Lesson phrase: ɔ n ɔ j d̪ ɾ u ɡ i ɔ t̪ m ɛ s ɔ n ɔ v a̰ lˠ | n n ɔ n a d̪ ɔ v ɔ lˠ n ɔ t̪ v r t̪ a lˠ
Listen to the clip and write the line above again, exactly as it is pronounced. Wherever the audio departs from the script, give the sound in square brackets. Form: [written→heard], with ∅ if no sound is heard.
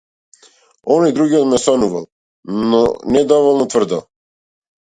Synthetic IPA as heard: ɔ n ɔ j d̪ ɾ u ɡ i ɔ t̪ m ɛ s ɔ n [ɔ→u] v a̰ lˠ | n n ɔ n [a→ɛ] d̪ ɔ v ɔ lˠ n ɔ t̪ v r [t̪→d̪] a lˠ